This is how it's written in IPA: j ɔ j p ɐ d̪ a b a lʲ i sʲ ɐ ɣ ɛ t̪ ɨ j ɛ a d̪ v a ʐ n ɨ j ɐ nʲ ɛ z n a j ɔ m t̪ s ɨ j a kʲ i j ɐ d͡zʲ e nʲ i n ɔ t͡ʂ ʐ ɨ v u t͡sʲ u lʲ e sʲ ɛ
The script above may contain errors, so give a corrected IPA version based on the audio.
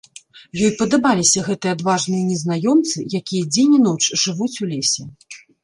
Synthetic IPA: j ɔ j p ɐ d̪ a b a lʲ i sʲ ɐ ɣ ɛ t̪ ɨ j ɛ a d̪ v a ʐ n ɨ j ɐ nʲ ɛ z n a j ɔ m t̪ s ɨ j a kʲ i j ɐ d͡zʲ e nʲ i n ɔ t͡ʂ ʐ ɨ v u t͡sʲ u lʲ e sʲ ɛ